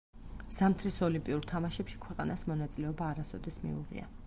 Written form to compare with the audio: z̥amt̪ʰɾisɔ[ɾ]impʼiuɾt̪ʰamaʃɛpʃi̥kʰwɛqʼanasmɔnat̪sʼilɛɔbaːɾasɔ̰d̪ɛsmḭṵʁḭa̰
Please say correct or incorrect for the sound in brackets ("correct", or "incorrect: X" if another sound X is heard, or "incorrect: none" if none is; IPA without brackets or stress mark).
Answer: incorrect: l